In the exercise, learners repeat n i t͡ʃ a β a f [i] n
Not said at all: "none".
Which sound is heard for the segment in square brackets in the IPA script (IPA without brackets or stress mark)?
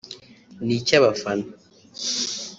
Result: a